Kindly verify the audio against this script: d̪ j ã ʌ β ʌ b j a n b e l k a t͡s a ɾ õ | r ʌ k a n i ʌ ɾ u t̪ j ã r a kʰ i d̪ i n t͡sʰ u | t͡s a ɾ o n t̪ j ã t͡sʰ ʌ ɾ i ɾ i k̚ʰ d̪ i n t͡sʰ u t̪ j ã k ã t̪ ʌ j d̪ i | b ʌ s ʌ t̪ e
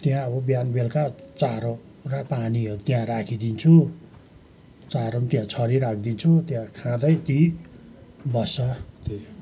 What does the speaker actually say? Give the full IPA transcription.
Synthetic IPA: t̪ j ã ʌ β ʌ b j a n b e l k a t͡s a ɾ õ | r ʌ p a n i ʌ ɾ u t̪ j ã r a kʰ i d̪ i n t͡sʰ u | t͡s a ɾ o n t̪ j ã t͡sʰ ʌ ɾ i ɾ a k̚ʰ d̪ i n t͡sʰ u t̪ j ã kʰ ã d̪ ʌ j t̪ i | b ʌ s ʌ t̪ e